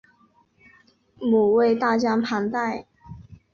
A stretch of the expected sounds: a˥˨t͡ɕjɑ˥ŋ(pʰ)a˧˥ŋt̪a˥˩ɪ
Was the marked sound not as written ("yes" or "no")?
no